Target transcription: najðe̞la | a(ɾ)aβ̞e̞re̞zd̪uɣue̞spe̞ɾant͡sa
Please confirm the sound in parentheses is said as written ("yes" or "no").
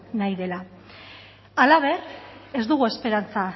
no